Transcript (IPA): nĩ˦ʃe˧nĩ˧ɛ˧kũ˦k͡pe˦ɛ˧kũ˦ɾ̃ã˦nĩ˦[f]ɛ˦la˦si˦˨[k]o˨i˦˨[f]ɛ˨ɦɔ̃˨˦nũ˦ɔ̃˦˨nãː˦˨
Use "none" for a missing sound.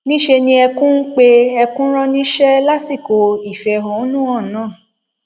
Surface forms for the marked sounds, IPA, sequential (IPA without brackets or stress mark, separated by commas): ʃ, k, f